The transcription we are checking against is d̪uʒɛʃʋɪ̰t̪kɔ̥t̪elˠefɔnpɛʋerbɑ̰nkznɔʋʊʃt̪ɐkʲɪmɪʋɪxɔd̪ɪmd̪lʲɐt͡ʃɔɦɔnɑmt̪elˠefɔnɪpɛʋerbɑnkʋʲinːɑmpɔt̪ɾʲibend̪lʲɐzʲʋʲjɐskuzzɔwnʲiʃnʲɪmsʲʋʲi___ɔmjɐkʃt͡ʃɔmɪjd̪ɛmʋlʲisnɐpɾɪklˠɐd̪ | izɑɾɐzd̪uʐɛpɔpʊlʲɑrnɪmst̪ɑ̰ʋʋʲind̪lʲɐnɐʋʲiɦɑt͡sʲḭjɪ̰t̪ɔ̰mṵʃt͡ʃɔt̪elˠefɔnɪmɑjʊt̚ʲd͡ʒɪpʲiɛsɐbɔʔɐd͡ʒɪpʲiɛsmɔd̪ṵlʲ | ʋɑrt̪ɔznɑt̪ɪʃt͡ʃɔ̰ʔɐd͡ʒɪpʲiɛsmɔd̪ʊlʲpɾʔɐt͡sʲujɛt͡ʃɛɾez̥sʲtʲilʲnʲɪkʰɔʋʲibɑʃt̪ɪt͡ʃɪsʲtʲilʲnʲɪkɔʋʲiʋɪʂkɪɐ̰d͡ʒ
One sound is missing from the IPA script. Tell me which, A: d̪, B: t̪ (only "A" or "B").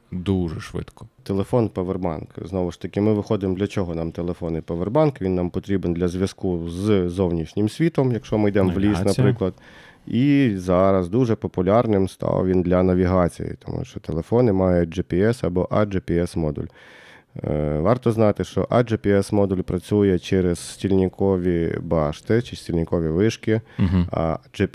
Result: B